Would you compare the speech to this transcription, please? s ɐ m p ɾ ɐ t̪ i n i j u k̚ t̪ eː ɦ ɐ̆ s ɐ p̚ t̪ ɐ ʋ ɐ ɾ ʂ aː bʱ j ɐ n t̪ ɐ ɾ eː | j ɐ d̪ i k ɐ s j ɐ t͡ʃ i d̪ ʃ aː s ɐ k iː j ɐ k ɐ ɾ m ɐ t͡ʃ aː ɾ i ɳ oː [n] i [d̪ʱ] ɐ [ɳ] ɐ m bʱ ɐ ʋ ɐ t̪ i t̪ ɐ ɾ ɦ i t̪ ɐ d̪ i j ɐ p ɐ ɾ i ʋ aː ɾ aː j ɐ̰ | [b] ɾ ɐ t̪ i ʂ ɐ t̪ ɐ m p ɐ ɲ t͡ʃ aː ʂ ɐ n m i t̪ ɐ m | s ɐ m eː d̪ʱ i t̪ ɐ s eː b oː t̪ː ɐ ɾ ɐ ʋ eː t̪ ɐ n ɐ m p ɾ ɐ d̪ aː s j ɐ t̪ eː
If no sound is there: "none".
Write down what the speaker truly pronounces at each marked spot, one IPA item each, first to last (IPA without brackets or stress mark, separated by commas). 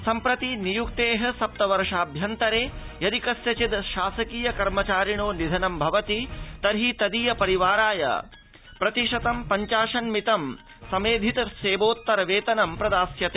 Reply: n, d̪ʱ, n, p